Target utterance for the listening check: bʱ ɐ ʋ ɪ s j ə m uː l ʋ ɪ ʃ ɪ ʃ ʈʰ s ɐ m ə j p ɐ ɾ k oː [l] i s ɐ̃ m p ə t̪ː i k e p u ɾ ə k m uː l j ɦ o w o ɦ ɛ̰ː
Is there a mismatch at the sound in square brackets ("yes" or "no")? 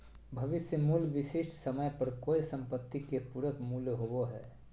yes